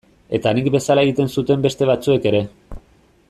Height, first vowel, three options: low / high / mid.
mid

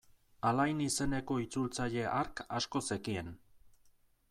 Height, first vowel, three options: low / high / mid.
low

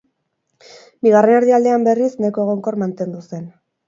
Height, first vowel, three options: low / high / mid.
high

